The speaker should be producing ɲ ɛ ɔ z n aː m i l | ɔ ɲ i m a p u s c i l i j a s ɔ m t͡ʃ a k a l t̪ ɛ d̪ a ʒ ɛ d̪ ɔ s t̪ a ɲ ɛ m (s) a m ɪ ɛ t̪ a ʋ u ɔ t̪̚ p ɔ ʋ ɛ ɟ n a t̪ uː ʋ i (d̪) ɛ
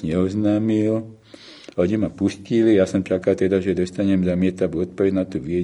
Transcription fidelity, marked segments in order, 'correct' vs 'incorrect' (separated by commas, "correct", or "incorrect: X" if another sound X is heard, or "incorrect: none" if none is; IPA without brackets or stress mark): incorrect: z, incorrect: none